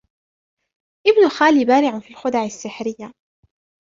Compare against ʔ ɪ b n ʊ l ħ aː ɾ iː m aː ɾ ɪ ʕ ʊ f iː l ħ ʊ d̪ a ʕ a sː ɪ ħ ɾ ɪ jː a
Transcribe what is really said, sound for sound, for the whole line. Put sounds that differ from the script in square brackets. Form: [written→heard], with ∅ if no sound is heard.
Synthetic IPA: ʔ ɪ b n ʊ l [ħ→x] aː [ɾ→l] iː [m→b] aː ɾ ɪ ʕ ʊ f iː l [ħ→x] ʊ d̪ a ʕ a sː ɪ ħ ɾ ɪ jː a